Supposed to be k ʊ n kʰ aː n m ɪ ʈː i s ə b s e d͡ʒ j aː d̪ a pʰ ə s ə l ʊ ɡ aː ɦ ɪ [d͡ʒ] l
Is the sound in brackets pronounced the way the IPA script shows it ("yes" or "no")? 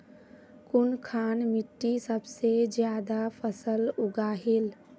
no